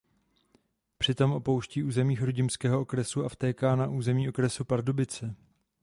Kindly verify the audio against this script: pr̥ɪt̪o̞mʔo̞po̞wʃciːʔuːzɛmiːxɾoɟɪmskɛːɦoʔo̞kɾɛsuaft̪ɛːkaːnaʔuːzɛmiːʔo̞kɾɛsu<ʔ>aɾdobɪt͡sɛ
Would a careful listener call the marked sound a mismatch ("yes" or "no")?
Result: yes